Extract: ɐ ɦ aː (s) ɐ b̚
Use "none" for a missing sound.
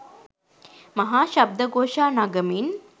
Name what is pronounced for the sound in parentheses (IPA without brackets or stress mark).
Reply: ʃ